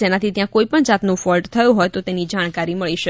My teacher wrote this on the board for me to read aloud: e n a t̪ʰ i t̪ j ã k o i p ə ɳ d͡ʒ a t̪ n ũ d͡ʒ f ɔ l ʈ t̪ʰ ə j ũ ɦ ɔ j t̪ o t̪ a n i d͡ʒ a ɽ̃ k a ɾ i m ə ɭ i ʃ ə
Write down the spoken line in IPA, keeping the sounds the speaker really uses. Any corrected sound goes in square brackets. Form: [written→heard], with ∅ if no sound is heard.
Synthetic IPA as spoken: e n a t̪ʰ i t̪ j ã k o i p ə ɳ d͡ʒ a t̪ n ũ [d͡ʒ→∅] f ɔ l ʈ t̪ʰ ə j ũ ɦ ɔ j t̪ o t̪ [a→e] n i d͡ʒ a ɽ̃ k a ɾ i m ə ɭ i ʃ ə